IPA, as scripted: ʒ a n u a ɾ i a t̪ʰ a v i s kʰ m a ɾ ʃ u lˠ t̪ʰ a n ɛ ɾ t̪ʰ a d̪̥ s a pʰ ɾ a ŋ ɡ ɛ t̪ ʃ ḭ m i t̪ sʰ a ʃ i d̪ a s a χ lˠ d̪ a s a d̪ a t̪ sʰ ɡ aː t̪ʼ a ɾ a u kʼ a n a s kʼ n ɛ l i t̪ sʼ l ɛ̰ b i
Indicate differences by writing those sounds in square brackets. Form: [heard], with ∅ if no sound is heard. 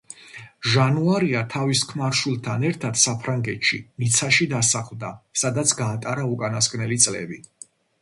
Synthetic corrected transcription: ʒ a n u a ɾ i a t̪ʰ a v i s kʰ m a ɾ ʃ u lˠ t̪ʰ a n ɛ ɾ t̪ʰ a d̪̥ s a pʰ ɾ a ŋ ɡ ɛ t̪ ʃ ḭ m i t̪ sʰ a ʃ i d̪ a s a χ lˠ d̪ a s a d̪ a t̪ sʰ ɡ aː t̪ʼ a ɾ a u kʼ a n a s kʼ n ɛ l i t̪ sʼ l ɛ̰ b i

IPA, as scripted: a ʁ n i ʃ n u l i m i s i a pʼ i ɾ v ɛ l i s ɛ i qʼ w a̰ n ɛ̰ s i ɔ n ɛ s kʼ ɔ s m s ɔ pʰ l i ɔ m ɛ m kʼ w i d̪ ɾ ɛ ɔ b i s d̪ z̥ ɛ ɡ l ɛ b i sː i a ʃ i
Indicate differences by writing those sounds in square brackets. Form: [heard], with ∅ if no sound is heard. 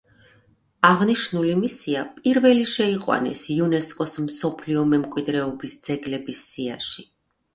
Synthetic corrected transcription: a ʁ n i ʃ n u l i m i s i a pʼ i ɾ v ɛ l i [ʃ] ɛ i qʼ w a̰ n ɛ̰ s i [u] n ɛ s kʼ ɔ s m s ɔ pʰ l i ɔ m ɛ m kʼ w i d̪ ɾ ɛ ɔ b i s d̪ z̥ ɛ ɡ l ɛ b i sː i a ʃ i

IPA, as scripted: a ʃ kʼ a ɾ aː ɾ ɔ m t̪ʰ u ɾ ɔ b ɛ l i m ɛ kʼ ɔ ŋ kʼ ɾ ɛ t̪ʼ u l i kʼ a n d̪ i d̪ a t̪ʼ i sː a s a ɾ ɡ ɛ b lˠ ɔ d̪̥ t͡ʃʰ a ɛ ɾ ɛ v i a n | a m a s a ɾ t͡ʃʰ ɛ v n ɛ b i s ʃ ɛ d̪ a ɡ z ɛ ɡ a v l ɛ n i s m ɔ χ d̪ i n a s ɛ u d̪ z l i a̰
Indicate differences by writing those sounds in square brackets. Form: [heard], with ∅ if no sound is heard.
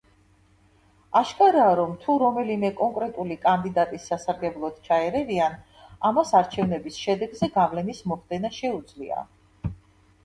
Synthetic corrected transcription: a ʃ kʼ a ɾ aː ɾ ɔ m t̪ʰ u ɾ ɔ [m] ɛ l i m ɛ kʼ ɔ ŋ kʼ ɾ ɛ t̪ʼ u l i kʼ a n d̪ i d̪ a t̪ʼ i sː a s a ɾ ɡ ɛ b lˠ ɔ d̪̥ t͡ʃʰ a ɛ ɾ ɛ v i a n | a m a s a ɾ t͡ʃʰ ɛ v n ɛ b i s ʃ ɛ d̪ [ɛ] ɡ z ɛ ɡ a v l ɛ n i s m ɔ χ d̪ [ɛ] n a [ʃ] ɛ u d̪ z l i a̰

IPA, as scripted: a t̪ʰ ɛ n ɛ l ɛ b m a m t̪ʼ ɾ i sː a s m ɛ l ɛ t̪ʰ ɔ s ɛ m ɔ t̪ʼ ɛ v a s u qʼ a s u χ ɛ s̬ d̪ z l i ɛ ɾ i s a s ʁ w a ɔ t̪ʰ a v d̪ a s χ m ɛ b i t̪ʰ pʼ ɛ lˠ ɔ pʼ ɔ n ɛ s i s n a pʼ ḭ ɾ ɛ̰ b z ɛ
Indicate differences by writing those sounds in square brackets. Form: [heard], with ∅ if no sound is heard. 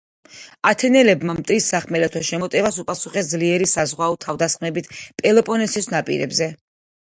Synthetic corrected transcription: a t̪ʰ ɛ n ɛ l ɛ b m a m t̪ʼ ɾ i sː a [χ] m ɛ l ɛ t̪ʰ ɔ [ʃ] ɛ m ɔ t̪ʼ ɛ v a s u [pʼ] a s u χ ɛ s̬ d̪ z l i ɛ ɾ i s a [z] ʁ w a ɔ t̪ʰ a v d̪ a s χ m ɛ b i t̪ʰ pʼ ɛ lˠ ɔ pʼ ɔ n ɛ s i s n a pʼ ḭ ɾ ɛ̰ b z ɛ

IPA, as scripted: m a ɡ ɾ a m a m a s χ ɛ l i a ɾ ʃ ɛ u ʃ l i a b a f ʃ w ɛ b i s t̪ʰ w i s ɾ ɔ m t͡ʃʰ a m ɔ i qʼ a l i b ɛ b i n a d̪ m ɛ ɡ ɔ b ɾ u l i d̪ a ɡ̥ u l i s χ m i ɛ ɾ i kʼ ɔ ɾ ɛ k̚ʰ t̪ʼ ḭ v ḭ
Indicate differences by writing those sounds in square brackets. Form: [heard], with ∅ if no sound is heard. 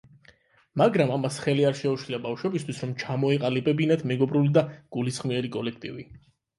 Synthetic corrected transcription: m a ɡ ɾ a m a m a s χ ɛ l i a ɾ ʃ ɛ u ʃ l i a b a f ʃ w ɛ b i s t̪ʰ w i s ɾ ɔ m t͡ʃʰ a m ɔ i qʼ a l i b ɛ b i n a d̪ m ɛ ɡ ɔ b ɾ u l i d̪ a ɡ̥ u l i s χ m i ɛ ɾ i kʼ ɔ [l] ɛ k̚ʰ t̪ʼ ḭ v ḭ

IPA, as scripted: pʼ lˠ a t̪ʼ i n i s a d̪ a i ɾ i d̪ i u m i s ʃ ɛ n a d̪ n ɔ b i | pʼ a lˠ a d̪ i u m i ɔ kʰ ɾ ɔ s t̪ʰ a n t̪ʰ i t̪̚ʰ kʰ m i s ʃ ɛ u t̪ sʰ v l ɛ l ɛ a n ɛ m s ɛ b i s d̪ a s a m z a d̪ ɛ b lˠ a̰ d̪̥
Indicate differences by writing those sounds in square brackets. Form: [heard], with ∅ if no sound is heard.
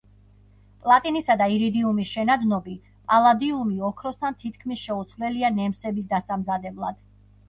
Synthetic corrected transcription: pʼ lˠ a t̪ʼ i n i s a d̪ a i ɾ i d̪ i u m i s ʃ ɛ n a d̪ n ɔ b i | pʼ a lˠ a d̪ i u m i ɔ kʰ ɾ ɔ s t̪ʰ a n t̪ʰ i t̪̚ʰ kʰ m i s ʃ ɛ u t̪ sʰ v l ɛ l [i] a n ɛ m s ɛ b i s d̪ a s a m z a d̪ ɛ b lˠ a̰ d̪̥

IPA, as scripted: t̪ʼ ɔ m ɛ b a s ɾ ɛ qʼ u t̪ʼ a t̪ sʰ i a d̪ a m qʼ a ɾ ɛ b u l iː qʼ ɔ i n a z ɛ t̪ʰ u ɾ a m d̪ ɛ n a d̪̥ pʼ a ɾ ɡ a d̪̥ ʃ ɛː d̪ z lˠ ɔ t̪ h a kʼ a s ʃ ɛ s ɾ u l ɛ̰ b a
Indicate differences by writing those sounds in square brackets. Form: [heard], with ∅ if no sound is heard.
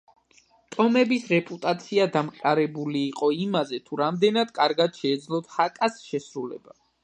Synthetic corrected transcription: t̪ʼ ɔ m ɛ b [i] s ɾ ɛ [pʼ] u t̪ʼ a t̪ sʰ i a d̪ a m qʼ a ɾ ɛ b u l iː qʼ ɔ i [m] a z ɛ t̪ʰ u ɾ a m d̪ ɛ n a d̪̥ [kʼ] a ɾ ɡ a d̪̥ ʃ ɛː d̪ z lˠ ɔ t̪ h a kʼ a s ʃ ɛ s ɾ u l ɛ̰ b a

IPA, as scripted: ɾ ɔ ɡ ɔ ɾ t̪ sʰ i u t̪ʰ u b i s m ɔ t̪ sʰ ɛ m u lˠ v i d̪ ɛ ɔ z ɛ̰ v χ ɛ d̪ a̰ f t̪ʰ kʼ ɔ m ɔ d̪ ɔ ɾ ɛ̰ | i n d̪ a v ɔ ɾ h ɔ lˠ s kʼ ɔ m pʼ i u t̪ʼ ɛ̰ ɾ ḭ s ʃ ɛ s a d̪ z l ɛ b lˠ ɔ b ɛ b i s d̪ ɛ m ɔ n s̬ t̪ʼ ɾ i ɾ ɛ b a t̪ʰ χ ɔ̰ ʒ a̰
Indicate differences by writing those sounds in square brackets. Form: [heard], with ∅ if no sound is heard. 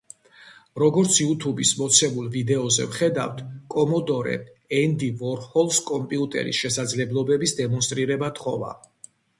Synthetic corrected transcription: ɾ ɔ ɡ ɔ ɾ t̪ sʰ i u t̪ʰ u b i s m ɔ t̪ sʰ ɛ m u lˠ v i d̪ ɛ ɔ z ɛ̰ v χ ɛ d̪ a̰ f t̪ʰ kʼ ɔ m ɔ d̪ ɔ ɾ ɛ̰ | [ɛ] n d̪ [i] v ɔ ɾ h ɔ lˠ s kʼ ɔ m pʼ i u t̪ʼ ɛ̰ ɾ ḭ s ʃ ɛ s a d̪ z l ɛ b lˠ ɔ b ɛ b i s d̪ ɛ m ɔ n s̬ t̪ʼ ɾ i ɾ ɛ b a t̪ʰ χ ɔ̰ [v] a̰

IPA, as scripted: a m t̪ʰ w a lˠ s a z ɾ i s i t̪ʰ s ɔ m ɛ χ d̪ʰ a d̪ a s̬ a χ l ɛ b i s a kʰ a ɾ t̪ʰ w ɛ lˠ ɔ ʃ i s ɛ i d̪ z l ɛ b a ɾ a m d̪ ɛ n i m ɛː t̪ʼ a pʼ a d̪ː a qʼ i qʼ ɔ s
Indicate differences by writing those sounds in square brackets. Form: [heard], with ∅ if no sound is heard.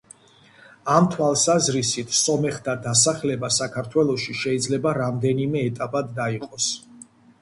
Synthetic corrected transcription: a m t̪ʰ w a lˠ s a z ɾ i s i t̪ʰ s ɔ m ɛ χ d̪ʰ a d̪ a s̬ a χ l ɛ b [a] s a kʰ a ɾ t̪ʰ w ɛ lˠ ɔ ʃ i [ʃ] ɛ i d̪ z l ɛ b a ɾ a m d̪ ɛ n i m ɛː t̪ʼ a pʼ a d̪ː a [∅] i qʼ ɔ s

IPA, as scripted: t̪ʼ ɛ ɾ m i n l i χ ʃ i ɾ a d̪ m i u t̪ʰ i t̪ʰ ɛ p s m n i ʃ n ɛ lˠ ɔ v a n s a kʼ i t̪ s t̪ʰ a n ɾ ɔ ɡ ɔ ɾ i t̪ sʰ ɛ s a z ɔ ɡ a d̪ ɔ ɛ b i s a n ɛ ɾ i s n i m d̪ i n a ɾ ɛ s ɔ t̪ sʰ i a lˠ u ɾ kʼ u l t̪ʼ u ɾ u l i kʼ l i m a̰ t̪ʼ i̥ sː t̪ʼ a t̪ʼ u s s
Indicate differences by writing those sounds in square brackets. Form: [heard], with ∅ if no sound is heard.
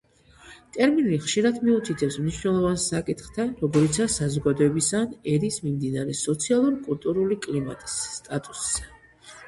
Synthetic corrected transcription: t̪ʼ ɛ ɾ m i n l i χ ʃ i ɾ a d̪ m i u t̪ʰ i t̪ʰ ɛ p s m n i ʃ n ɛ lˠ ɔ v a n s a kʼ i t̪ [χ] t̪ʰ a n ɾ ɔ ɡ ɔ ɾ i t̪ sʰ [a] s a z ɔ ɡ a d̪ ɔ ɛ b i s a n ɛ ɾ i s [m] i m d̪ i n a ɾ ɛ s ɔ t̪ sʰ i a lˠ u ɾ kʼ u l t̪ʼ u ɾ u l i kʼ l i m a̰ t̪ʼ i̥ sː t̪ʼ a t̪ʼ u s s

